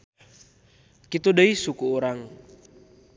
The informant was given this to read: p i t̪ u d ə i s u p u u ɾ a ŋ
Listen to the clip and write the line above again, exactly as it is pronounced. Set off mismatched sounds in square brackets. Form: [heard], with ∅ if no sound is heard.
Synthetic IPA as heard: [k] i t̪ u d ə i s u [k] u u ɾ a ŋ